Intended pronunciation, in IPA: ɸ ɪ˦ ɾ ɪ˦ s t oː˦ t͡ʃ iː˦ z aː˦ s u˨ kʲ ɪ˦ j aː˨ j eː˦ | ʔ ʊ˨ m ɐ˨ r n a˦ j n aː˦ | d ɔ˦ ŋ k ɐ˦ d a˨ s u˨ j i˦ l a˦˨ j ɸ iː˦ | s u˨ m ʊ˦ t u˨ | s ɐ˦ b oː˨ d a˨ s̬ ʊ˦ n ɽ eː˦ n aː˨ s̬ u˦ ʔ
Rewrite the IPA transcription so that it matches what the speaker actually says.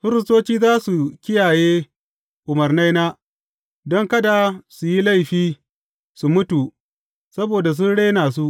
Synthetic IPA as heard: ɸ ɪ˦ ɾ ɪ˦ s t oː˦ t͡ʃ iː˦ z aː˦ s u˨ kʲ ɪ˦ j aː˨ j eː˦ | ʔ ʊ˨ m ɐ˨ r n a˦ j n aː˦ | d ɔ˦ ŋ k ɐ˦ d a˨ s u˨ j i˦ l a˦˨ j ɸ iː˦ | s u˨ m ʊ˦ t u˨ | s ɐ˦ b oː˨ d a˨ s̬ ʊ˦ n ɽ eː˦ n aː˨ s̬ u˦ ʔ